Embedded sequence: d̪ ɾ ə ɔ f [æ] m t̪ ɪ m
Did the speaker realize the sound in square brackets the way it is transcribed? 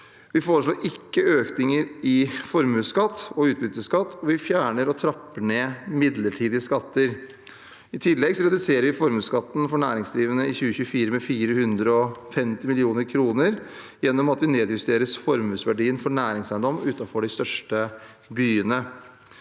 no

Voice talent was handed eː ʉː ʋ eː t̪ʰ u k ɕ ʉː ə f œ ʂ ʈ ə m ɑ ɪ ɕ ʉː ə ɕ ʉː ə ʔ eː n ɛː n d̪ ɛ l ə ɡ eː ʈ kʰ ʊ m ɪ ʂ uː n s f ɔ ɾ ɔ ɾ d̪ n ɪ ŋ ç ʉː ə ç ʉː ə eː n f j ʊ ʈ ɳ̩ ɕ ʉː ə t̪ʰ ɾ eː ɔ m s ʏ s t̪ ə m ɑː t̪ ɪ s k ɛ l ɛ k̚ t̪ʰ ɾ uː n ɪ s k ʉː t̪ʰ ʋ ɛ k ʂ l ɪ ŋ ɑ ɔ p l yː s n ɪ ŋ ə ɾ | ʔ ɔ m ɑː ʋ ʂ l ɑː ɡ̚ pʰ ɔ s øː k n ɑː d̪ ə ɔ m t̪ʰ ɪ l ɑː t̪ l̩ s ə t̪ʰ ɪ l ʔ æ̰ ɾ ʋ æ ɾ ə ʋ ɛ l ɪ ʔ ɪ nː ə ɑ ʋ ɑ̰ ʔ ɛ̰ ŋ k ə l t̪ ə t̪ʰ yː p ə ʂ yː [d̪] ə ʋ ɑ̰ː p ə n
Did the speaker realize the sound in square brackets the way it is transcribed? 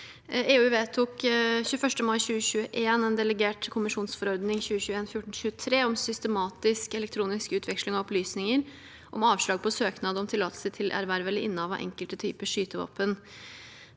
no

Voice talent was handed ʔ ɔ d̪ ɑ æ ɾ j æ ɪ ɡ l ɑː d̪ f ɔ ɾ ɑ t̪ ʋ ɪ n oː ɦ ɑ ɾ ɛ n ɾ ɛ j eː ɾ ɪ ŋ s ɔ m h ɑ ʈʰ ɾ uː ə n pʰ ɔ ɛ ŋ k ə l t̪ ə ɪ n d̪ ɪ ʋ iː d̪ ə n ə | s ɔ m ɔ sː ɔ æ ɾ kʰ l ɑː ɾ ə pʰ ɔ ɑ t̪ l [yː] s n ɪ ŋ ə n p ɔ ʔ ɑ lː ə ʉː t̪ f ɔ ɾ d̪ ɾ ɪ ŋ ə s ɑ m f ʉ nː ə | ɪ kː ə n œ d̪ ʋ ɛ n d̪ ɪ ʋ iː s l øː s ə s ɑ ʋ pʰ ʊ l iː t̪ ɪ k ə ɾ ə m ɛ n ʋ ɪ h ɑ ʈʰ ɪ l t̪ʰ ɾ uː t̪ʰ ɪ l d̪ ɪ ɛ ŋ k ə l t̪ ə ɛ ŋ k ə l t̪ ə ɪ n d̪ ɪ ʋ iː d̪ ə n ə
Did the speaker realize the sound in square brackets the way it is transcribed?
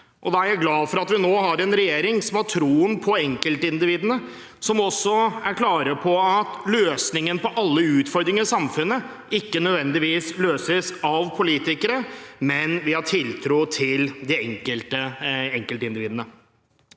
no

